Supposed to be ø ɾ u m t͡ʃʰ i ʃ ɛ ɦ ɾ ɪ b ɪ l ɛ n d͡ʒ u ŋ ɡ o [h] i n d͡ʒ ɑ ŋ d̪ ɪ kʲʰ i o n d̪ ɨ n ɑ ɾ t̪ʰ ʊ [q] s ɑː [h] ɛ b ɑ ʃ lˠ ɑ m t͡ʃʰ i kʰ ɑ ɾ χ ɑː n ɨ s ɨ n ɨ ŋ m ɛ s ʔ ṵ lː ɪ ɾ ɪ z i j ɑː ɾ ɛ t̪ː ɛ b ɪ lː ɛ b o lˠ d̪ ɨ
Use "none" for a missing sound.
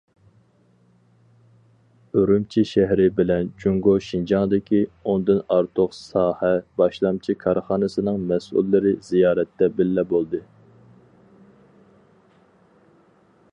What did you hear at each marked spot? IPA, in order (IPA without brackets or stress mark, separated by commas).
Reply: ʃ, q, h